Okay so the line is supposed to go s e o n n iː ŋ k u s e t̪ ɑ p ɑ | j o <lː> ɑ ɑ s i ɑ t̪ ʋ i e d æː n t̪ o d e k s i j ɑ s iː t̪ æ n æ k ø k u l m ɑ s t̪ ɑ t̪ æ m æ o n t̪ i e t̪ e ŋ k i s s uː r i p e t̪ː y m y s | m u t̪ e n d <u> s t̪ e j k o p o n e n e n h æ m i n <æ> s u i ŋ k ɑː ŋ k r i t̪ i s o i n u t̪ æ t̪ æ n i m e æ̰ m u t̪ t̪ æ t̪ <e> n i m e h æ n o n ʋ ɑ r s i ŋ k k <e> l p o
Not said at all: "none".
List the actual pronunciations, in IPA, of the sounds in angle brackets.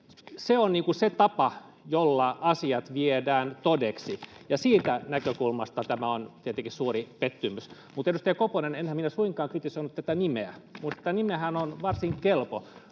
lː, u, æ, æ, e

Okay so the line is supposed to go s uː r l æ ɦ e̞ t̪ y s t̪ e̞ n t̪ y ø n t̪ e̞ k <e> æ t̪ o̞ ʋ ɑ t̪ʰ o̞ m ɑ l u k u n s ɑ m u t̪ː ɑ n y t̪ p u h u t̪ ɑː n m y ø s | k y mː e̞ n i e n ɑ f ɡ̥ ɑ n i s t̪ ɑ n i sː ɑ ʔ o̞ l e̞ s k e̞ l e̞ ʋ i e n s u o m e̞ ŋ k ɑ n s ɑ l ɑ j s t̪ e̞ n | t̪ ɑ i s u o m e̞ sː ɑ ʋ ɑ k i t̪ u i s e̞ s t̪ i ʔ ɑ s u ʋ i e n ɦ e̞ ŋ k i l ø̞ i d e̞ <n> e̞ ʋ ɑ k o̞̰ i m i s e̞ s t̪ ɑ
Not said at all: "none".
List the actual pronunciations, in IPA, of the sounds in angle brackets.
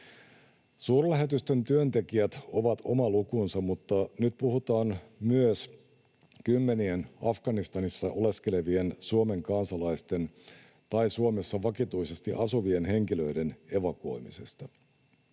i, n

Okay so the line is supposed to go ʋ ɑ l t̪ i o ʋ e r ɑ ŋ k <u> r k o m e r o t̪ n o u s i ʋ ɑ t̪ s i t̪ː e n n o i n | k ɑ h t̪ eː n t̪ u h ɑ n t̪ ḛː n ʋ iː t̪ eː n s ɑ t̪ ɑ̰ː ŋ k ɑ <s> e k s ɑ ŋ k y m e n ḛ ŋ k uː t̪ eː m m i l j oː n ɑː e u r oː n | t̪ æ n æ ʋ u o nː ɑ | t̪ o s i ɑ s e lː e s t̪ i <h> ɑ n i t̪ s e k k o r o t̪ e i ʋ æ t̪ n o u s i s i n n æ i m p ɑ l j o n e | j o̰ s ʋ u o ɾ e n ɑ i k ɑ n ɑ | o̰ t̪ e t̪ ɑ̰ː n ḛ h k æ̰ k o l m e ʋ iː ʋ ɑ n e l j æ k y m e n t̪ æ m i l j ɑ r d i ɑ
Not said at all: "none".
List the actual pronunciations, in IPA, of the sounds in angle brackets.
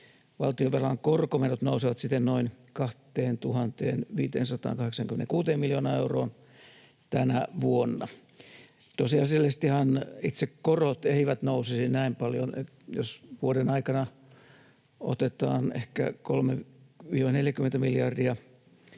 o, h, h

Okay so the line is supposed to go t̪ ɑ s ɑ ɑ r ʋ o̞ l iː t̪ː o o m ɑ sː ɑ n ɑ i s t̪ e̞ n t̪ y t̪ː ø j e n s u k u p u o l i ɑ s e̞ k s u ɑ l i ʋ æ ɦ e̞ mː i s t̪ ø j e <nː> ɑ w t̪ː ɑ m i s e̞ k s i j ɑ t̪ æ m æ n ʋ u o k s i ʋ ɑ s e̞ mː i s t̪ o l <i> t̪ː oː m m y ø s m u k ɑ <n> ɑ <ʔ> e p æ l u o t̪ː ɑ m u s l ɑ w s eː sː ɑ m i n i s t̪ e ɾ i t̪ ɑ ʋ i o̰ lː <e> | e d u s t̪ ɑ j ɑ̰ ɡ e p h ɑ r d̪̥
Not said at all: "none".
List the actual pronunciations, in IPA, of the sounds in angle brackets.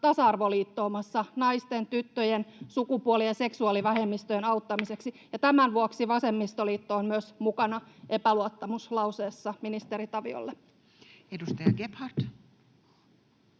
n, iː, n, ʔ, e

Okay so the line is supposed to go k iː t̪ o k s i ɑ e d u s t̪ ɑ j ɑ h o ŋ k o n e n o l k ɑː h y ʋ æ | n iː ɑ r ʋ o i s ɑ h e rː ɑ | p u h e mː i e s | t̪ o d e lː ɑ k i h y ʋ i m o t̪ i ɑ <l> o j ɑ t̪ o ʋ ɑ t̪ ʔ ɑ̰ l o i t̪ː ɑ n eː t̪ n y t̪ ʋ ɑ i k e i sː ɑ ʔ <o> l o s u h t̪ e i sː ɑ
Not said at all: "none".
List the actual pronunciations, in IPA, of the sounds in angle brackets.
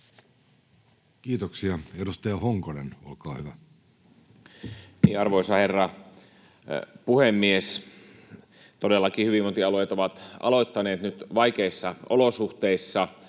l, o

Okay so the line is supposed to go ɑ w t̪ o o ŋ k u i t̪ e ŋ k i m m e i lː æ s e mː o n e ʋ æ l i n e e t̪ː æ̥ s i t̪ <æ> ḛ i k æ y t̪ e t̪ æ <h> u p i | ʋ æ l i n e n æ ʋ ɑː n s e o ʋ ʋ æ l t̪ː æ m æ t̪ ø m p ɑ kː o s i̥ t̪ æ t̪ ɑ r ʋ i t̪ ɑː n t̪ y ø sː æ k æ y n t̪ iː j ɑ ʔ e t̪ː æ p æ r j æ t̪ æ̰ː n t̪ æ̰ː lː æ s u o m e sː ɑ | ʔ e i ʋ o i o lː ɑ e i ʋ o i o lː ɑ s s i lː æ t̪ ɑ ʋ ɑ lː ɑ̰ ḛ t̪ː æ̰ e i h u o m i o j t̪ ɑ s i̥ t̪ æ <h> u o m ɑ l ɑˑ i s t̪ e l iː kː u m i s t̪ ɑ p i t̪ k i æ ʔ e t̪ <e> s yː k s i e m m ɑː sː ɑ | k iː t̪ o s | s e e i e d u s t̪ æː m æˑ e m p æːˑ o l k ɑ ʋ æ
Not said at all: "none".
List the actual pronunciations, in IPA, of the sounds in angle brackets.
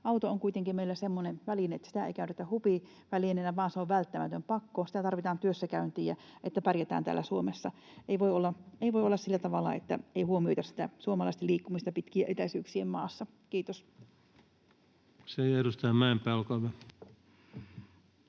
æ, h, s, æ

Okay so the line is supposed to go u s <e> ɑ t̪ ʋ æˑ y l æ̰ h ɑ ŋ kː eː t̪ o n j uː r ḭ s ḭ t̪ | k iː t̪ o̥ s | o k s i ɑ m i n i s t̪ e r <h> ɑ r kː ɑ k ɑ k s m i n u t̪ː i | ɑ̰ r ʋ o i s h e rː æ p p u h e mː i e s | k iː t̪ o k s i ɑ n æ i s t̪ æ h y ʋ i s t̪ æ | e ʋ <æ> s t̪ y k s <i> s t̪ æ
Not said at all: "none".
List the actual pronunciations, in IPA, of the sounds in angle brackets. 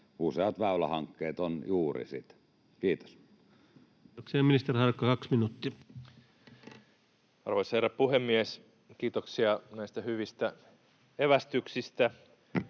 e, h, æ, i

